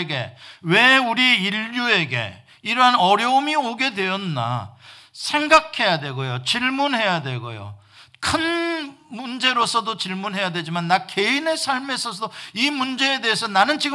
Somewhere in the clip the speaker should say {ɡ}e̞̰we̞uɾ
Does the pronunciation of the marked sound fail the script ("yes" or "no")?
no